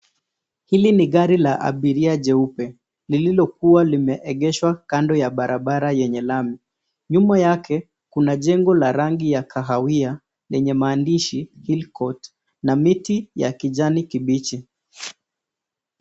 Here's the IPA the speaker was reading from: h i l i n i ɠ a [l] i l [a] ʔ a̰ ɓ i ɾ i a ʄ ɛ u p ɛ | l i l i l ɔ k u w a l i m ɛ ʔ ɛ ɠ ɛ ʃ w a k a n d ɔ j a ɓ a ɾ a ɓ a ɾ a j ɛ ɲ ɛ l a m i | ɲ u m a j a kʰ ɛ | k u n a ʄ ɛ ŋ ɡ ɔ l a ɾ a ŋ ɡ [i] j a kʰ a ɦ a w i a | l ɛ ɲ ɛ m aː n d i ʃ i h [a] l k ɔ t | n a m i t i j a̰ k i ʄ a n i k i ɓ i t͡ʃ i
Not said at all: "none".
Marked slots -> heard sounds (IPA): ɾ, a, i, i

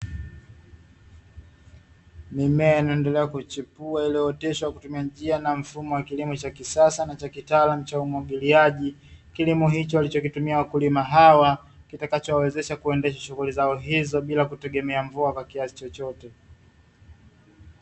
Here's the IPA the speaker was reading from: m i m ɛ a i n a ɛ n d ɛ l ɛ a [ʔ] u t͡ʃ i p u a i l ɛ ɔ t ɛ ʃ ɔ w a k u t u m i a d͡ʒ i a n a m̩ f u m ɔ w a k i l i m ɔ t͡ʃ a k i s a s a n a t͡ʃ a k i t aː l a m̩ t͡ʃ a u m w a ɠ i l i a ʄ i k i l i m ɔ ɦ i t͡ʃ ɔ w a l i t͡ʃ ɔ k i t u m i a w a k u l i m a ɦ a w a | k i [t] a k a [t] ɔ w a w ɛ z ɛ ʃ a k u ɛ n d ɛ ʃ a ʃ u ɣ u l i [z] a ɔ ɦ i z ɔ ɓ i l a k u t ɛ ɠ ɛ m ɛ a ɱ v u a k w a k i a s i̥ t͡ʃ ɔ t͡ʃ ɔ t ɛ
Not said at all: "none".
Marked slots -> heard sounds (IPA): k, t, t͡ʃ, z

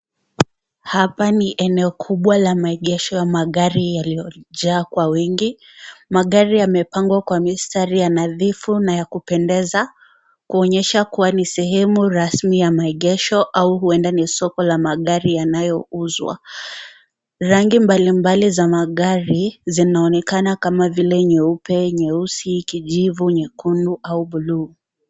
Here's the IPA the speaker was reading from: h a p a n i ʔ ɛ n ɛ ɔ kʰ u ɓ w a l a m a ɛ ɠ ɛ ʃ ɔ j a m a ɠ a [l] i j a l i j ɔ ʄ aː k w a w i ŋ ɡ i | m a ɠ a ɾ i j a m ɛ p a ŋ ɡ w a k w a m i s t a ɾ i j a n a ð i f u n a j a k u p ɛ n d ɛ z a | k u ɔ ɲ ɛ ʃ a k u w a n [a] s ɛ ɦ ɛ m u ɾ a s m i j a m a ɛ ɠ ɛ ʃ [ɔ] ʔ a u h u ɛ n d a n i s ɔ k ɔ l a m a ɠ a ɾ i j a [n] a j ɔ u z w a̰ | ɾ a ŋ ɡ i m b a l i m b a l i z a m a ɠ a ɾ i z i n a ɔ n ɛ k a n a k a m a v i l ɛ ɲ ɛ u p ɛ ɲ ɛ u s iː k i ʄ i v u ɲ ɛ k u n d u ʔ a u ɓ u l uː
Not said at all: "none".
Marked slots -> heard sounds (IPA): ɾ, i, ɔ, n

